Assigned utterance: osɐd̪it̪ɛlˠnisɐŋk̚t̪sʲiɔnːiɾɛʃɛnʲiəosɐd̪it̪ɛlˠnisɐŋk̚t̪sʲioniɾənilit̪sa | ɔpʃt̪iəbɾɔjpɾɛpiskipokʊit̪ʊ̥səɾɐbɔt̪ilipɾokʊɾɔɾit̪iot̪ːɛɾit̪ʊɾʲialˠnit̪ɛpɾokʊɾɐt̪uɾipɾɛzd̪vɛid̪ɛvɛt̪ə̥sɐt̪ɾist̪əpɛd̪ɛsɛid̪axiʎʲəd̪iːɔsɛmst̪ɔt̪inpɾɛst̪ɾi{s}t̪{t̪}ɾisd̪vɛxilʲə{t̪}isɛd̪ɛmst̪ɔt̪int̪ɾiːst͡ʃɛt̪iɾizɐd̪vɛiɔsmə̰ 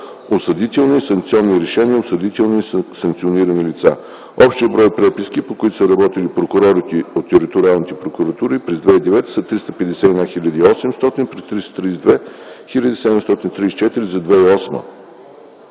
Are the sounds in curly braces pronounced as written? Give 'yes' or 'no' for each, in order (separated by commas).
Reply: yes, yes, no